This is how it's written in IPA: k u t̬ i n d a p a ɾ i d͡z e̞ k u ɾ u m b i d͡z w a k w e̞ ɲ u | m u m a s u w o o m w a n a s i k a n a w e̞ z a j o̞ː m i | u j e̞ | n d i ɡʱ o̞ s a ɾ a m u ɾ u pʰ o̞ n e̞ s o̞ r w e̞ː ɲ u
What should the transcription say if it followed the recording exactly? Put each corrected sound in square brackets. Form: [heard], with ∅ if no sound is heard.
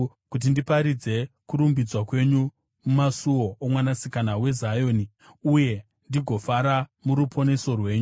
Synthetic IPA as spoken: k u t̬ i n d [i] p a ɾ i d͡z e̞ k u ɾ u m b i d͡z w a k w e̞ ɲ u | m u m a s u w o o m w a n a s i k a n a w e̞ z a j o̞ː [n] i | u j e̞ | n d i ɡʱ o̞ [f] a ɾ a m u ɾ u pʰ o̞ n e̞ s o̞ r w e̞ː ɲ u